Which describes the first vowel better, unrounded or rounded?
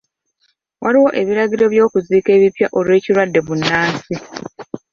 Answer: unrounded